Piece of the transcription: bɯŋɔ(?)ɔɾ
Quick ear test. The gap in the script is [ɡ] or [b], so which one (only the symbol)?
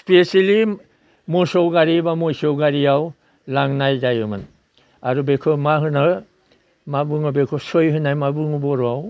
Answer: b